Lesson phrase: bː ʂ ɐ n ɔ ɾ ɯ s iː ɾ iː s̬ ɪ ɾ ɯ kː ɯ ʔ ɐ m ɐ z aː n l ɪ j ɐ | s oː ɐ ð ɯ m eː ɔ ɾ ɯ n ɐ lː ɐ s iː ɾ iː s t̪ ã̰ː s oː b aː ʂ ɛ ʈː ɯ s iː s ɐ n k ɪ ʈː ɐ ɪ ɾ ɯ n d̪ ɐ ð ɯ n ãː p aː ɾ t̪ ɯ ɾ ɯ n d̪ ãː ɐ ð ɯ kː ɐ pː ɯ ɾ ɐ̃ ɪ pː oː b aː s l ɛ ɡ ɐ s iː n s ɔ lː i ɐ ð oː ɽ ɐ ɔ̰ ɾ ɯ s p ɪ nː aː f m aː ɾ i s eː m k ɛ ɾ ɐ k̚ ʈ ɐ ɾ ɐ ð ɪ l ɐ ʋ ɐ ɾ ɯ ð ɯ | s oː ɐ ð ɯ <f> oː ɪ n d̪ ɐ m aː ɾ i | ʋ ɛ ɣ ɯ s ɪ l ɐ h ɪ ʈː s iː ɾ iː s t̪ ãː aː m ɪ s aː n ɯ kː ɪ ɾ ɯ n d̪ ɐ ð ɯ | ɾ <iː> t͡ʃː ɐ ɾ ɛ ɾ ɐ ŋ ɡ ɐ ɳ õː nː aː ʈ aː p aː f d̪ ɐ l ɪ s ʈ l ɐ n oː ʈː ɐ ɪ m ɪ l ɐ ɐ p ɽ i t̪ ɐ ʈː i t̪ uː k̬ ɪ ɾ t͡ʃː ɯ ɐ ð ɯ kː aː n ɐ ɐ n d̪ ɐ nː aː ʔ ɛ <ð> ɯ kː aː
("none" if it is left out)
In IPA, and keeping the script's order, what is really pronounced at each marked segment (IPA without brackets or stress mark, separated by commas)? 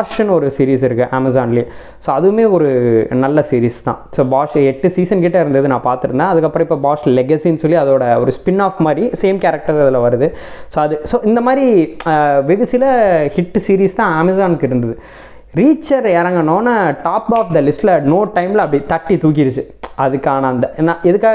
s, iː, ð